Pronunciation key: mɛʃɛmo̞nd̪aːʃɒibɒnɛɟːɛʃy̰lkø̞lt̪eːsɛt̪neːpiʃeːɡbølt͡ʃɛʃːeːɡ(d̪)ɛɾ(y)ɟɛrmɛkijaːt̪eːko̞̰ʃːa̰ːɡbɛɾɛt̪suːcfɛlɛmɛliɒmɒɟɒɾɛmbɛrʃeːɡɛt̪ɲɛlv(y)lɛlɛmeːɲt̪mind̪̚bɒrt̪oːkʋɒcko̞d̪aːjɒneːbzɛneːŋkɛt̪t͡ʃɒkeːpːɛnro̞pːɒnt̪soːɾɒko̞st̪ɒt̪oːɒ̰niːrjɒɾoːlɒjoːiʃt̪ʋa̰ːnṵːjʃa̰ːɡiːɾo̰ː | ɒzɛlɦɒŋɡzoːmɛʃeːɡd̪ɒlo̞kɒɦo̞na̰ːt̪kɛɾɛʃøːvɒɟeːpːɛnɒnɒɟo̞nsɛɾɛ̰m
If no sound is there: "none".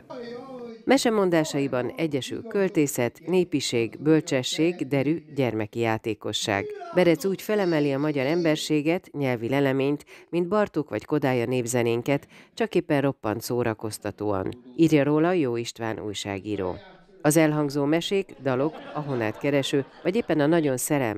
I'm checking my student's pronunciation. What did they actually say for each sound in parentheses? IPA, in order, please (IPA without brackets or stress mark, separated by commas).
d̪, y, i